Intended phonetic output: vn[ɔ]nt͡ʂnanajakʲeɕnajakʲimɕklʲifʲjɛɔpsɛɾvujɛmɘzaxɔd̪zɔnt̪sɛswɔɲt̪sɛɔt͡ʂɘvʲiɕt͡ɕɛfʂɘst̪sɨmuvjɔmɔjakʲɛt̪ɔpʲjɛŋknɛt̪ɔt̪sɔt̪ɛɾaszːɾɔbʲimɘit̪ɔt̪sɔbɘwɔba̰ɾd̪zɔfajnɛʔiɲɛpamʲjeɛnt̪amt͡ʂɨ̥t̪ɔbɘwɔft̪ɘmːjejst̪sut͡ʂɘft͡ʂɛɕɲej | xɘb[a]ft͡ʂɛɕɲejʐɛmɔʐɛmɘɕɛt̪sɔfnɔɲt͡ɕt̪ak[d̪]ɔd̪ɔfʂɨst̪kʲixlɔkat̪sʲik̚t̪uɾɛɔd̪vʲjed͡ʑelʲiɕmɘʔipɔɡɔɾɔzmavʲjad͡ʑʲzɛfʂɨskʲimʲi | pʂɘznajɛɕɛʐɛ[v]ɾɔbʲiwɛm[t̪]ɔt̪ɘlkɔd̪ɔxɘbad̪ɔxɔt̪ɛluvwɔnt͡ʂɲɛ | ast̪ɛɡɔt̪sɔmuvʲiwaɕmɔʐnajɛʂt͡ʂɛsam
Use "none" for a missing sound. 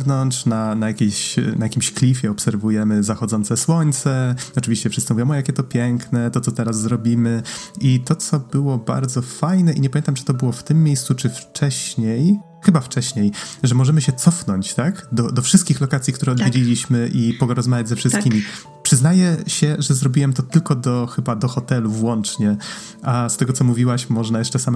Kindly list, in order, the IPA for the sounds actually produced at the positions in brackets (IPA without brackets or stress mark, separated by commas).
ɔ, a, d̪, z, t̪